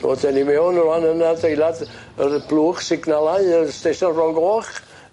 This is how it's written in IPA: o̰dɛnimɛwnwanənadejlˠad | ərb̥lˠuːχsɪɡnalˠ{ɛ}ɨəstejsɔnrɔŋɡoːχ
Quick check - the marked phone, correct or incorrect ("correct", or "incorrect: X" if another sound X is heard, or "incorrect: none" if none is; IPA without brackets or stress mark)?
incorrect: a